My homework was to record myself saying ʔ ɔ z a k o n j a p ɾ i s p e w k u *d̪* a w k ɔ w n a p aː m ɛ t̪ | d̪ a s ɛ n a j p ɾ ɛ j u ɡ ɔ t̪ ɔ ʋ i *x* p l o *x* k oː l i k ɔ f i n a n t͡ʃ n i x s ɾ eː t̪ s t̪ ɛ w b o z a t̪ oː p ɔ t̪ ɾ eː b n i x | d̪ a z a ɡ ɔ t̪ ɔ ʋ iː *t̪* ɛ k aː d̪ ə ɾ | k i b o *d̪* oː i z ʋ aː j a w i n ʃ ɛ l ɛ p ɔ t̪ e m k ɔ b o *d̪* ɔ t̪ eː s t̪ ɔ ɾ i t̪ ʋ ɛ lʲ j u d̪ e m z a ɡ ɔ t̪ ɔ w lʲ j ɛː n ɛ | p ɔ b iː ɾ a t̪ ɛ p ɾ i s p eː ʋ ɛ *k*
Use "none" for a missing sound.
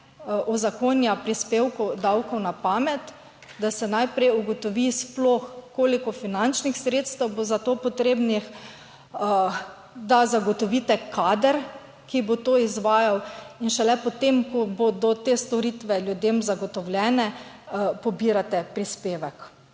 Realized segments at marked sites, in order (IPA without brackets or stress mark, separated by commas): d̪, s, x, t̪, t̪, d̪, k